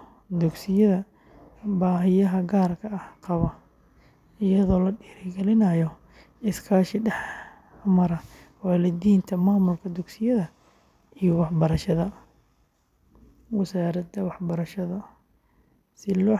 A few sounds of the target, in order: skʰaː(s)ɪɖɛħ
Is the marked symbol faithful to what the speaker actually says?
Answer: no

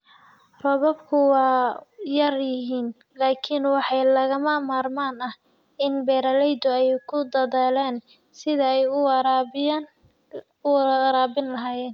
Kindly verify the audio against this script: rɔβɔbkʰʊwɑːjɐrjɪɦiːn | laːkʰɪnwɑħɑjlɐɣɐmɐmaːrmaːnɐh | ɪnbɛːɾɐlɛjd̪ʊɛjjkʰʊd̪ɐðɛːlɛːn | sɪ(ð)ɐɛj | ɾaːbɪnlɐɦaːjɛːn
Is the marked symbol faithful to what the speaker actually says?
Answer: yes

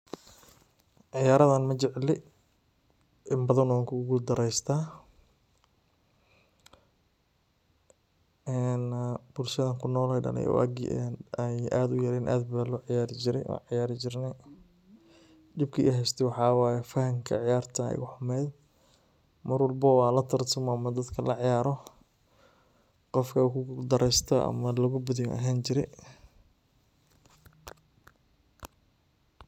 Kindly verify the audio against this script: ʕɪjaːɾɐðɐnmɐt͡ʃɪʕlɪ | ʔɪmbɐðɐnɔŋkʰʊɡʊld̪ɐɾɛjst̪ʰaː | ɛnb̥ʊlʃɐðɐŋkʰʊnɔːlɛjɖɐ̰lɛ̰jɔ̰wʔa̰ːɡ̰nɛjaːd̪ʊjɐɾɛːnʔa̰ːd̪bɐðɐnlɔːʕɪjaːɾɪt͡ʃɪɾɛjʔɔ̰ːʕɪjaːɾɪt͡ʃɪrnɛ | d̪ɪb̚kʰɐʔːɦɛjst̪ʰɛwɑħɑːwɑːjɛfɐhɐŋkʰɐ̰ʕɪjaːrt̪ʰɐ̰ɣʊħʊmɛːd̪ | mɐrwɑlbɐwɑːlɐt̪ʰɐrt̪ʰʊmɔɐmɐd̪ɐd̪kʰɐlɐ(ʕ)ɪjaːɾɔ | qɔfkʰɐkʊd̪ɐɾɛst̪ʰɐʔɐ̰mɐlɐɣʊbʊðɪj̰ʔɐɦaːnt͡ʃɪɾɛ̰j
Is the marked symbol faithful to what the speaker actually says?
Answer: yes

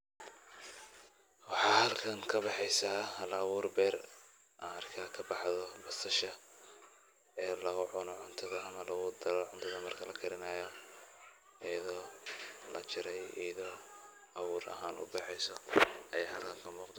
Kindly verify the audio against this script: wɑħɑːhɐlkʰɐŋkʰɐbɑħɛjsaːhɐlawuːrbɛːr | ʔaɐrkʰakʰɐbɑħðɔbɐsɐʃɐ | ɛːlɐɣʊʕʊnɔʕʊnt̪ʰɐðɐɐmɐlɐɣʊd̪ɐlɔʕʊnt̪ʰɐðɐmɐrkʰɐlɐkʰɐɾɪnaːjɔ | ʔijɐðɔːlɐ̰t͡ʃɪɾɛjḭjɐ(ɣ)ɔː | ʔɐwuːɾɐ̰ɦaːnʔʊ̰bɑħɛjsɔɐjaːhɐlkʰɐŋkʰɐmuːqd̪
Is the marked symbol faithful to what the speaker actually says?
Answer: no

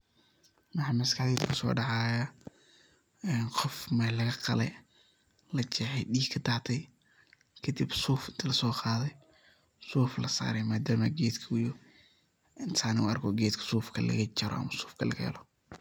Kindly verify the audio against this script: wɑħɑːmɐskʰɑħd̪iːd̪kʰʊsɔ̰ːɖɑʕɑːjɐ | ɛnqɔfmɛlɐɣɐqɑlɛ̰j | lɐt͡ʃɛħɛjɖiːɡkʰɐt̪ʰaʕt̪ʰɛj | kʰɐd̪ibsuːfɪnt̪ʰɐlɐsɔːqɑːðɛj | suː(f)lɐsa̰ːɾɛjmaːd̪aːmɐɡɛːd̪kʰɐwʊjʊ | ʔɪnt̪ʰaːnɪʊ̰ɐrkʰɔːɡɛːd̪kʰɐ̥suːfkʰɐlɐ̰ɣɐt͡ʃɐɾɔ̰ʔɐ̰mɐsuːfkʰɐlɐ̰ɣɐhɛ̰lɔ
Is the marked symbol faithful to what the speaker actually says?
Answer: yes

